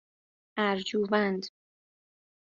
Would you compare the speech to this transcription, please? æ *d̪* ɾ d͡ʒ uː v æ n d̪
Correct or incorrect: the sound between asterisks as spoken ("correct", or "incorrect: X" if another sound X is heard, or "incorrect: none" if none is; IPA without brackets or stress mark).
incorrect: none